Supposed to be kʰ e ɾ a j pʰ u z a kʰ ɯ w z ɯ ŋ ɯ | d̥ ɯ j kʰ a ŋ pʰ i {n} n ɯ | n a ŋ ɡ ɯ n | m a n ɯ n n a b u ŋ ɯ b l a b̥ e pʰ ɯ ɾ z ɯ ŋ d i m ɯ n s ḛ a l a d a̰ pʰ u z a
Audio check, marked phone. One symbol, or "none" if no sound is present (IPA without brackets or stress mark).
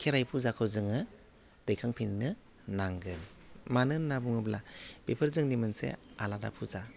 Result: n